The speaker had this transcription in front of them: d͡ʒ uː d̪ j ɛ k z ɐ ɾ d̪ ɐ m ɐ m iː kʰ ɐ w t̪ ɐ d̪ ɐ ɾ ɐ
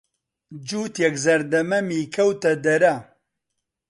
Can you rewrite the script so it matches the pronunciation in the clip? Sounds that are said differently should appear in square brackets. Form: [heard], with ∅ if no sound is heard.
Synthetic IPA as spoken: d͡ʒ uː [t̪] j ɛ k z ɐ ɾ d̪ ɐ m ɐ m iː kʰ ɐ w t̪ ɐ d̪ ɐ ɾ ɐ